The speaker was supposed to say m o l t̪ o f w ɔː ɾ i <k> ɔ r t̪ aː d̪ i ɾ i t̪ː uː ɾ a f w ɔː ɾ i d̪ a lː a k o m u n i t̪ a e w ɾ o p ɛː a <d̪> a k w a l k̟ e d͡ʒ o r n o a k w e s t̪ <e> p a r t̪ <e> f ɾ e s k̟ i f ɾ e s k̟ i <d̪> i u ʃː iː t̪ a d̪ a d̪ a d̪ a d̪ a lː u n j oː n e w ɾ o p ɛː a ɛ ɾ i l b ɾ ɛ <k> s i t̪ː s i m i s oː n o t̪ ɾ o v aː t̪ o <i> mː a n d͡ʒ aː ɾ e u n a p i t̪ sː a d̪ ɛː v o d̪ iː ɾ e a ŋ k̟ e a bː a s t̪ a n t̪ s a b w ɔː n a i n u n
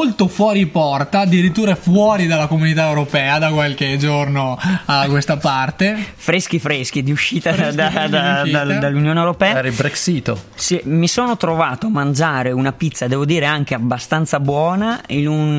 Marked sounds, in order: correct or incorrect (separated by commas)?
incorrect, correct, incorrect, correct, correct, correct, incorrect